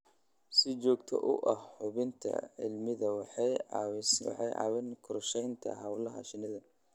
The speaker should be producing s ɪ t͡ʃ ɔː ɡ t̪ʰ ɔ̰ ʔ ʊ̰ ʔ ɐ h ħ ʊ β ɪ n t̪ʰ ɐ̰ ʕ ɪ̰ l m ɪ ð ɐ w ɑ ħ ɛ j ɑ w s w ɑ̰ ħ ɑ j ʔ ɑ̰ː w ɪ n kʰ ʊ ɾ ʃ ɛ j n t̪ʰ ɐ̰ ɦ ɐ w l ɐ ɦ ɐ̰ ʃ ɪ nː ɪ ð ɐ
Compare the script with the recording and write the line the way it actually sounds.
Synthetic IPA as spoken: s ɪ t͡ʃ ɔː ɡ t̪ʰ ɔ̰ ʔ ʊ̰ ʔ ɐ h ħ ʊ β ɪ n t̪ʰ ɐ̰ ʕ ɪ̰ l m ɪ ð ɐ w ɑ ħ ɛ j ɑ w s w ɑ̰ ħ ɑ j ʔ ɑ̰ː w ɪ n kʰ ʊ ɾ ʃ ɛ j n t̪ʰ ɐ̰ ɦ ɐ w l ɐ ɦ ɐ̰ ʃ ɪ n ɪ ð ɐ